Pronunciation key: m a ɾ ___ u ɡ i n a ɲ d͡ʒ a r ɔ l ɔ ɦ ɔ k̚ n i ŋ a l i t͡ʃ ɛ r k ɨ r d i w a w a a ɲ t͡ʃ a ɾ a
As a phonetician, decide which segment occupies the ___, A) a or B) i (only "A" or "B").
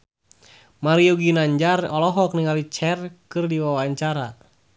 B